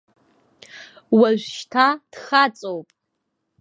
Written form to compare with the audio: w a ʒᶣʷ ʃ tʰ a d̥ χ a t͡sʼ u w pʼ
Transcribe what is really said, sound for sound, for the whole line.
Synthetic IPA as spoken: w a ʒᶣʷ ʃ tʰ a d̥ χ a t͡sʼ o w pʼ